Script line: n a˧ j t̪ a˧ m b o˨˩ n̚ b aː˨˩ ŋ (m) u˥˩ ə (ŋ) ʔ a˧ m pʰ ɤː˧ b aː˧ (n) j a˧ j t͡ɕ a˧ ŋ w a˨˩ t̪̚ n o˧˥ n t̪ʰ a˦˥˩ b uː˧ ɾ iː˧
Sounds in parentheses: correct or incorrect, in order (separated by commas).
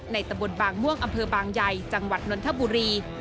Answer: correct, correct, incorrect